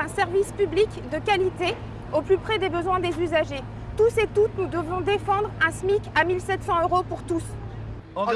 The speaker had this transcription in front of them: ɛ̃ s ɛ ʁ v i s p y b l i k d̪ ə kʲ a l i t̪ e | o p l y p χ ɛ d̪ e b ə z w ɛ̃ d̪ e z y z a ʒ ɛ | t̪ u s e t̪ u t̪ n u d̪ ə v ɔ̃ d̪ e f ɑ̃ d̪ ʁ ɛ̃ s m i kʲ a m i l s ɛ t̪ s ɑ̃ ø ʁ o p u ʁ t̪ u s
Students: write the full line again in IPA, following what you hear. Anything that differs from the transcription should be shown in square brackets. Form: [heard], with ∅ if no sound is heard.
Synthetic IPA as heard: ɛ̃ s ɛ ʁ v i s p y b l i k d̪ ə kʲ a l i t̪ e | o p l y p χ ɛ d̪ e b ə z w ɛ̃ d̪ e z y z a ʒ [e] | t̪ u s e t̪ u t̪ n u d̪ ə v ɔ̃ d̪ e f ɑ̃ d̪ ʁ ɛ̃ s m i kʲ a m i l s ɛ t̪ s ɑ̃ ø ʁ o p u ʁ t̪ u s